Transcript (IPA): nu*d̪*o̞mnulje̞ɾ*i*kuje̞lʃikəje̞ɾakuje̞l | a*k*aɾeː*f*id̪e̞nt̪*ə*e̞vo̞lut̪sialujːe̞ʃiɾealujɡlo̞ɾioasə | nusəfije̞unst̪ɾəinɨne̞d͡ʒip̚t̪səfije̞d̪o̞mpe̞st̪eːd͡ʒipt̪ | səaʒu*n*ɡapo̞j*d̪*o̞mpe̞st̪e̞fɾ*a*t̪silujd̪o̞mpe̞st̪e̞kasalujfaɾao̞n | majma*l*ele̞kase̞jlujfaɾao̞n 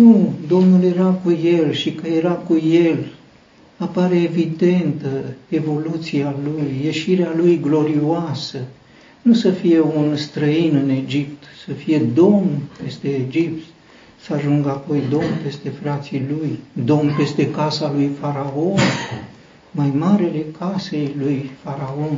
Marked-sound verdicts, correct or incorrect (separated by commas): correct, incorrect, incorrect, incorrect, correct, incorrect, correct, correct, incorrect